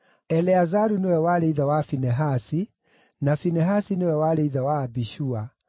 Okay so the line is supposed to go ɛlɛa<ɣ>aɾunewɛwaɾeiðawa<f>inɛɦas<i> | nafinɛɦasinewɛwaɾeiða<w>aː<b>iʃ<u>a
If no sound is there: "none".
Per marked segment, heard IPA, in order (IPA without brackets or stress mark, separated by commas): z, f, i, w, b, u